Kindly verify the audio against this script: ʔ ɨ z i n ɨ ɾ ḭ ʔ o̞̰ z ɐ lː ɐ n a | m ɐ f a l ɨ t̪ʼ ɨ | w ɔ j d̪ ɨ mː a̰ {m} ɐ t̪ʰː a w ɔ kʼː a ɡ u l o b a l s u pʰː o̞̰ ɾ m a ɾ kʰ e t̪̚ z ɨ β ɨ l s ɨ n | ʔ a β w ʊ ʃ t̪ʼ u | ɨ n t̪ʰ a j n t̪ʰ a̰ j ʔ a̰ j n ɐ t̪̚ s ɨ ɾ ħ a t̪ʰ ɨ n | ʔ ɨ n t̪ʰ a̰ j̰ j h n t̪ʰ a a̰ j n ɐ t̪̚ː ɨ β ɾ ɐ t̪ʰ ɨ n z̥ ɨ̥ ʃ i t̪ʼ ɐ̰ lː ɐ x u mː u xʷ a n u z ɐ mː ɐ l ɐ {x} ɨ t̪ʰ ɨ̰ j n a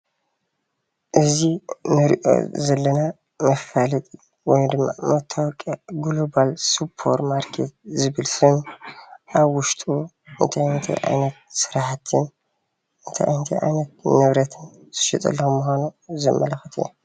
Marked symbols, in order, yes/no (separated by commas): yes, yes